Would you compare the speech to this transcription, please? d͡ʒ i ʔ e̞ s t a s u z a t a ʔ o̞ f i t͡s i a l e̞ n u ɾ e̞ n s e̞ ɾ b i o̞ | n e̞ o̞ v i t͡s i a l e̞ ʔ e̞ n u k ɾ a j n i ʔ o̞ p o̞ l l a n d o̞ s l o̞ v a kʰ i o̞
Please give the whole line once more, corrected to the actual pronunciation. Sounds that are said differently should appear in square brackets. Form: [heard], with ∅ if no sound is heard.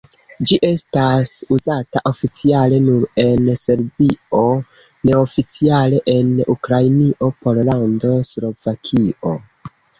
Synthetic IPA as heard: d͡ʒ i ʔ e̞ s t a s u z a t a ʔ o̞ f i t͡s i a l e̞ n u ɾ e̞ n s e̞ ɾ b i o̞ | n e̞ o̞ [f] i t͡s i a l e̞ ʔ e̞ n u k ɾ a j n i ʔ o̞ p o̞ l l a n d o̞ s l o̞ v a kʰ i o̞